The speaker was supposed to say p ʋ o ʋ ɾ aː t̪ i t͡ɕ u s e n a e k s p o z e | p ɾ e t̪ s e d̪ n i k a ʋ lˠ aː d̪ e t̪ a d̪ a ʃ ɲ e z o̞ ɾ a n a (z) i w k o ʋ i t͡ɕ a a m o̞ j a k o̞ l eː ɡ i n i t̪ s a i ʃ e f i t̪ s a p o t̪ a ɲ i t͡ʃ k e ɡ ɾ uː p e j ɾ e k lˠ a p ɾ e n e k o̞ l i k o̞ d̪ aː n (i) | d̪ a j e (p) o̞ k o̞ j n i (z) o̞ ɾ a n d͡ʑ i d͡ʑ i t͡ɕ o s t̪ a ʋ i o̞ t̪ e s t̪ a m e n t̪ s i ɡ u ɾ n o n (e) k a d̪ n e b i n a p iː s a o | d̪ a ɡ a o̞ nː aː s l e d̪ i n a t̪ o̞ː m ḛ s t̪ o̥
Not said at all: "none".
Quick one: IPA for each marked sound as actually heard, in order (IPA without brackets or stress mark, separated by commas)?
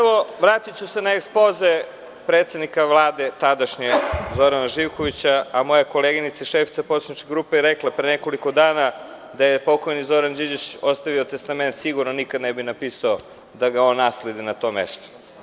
ʒ, a, p, z, i